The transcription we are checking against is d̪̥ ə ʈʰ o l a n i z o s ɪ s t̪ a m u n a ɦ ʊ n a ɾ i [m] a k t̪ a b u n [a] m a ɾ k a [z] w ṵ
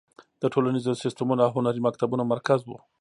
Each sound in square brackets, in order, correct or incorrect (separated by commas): correct, correct, correct